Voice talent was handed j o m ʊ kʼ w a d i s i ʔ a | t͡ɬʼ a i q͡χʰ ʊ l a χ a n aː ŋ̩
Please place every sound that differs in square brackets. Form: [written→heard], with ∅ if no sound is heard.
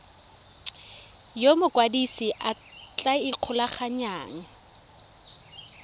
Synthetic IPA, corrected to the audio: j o m ʊ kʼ w a d i s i ʔ a | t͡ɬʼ a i q͡χʰ ʊ l a χ a [n→ɲ] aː ŋ̩